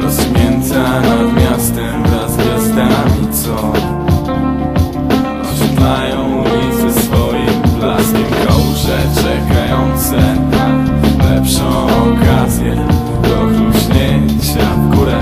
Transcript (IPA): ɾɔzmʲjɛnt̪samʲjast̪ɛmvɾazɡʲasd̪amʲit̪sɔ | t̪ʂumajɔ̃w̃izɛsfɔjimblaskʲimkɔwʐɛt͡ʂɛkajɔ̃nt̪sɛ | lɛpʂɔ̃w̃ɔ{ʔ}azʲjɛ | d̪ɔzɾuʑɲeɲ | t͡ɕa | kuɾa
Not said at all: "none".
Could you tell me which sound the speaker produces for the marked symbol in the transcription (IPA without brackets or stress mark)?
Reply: k